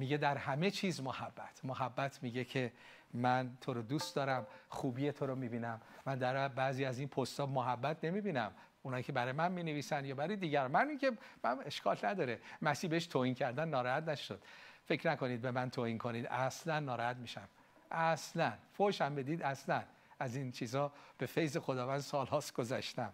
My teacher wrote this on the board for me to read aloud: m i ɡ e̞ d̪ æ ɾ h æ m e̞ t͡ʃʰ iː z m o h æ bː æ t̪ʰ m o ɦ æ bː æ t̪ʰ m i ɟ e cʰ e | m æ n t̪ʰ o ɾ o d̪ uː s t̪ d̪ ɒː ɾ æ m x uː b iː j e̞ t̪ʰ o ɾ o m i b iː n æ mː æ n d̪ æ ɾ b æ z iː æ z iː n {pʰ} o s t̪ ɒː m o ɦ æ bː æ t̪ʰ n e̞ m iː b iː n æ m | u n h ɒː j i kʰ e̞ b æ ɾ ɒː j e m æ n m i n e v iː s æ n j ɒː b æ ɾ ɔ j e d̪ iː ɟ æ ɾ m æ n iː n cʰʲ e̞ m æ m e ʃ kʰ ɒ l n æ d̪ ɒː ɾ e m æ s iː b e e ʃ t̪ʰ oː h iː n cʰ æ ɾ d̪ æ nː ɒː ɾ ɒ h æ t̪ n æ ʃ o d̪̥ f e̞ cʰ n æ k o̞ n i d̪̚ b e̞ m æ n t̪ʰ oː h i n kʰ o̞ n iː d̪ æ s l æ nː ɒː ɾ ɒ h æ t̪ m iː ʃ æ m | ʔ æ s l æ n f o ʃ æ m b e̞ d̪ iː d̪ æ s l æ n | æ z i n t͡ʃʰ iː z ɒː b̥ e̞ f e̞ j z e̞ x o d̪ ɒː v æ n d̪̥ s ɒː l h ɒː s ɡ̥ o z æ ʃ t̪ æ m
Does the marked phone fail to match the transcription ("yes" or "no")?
no